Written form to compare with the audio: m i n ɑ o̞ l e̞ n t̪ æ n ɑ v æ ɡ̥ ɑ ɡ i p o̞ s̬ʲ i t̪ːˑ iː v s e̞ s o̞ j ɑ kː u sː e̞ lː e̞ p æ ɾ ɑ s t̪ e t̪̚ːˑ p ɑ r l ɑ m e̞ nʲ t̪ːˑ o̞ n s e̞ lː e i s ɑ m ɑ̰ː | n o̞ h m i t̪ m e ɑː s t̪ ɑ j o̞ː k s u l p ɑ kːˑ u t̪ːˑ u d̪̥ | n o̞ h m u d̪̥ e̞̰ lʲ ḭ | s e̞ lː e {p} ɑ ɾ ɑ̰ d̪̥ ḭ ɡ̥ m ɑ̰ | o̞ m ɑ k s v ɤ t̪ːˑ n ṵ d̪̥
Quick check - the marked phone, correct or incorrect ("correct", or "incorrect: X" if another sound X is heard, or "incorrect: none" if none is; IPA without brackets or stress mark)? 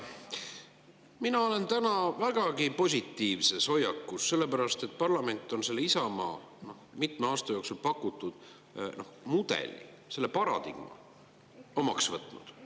correct